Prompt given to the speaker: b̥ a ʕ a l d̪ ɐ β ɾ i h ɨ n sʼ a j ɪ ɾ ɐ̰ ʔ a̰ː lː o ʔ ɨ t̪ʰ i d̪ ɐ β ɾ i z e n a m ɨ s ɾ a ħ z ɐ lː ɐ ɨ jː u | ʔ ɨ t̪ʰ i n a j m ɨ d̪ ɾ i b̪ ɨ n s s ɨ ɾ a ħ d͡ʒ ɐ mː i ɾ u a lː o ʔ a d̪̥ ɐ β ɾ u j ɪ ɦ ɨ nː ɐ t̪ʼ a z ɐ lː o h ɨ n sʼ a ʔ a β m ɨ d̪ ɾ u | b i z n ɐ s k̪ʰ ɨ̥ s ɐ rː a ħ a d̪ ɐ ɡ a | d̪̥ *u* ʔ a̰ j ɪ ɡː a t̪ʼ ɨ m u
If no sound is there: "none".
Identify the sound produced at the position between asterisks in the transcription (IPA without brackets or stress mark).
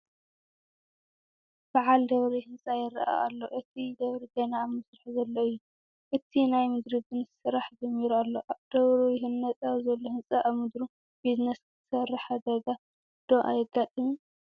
o